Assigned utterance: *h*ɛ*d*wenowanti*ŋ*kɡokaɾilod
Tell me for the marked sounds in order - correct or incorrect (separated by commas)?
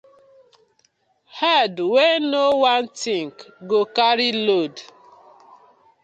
correct, correct, correct